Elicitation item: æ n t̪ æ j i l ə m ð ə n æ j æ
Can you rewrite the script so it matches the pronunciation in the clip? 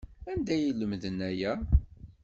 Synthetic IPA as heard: æ n d̪ æ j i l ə m ð ə n æ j æ